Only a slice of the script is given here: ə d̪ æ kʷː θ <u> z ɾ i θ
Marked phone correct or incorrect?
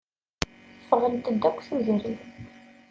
correct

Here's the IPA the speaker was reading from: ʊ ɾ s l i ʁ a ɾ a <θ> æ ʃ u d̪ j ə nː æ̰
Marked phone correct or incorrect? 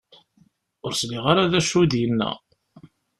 incorrect: ð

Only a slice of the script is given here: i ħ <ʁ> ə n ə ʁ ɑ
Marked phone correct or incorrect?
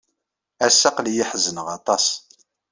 incorrect: z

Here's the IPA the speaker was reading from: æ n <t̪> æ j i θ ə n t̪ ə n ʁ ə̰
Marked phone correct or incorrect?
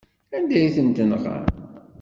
incorrect: d̪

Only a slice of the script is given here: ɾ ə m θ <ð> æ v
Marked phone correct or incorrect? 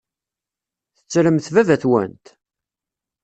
incorrect: v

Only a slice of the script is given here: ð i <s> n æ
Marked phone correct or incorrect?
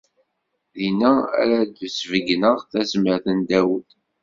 incorrect: none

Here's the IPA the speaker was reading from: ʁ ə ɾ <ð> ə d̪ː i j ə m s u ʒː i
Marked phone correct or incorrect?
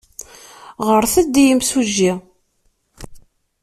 incorrect: θ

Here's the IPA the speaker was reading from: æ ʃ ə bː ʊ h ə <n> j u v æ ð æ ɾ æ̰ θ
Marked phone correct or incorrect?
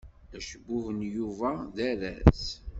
correct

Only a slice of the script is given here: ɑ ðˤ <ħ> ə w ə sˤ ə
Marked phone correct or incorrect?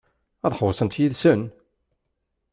correct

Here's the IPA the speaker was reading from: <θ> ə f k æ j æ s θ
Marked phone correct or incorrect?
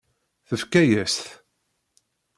correct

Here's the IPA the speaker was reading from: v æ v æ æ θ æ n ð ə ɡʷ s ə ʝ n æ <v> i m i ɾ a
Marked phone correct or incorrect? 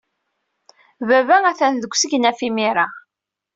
incorrect: f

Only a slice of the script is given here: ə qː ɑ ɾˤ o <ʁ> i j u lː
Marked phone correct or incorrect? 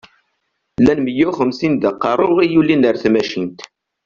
correct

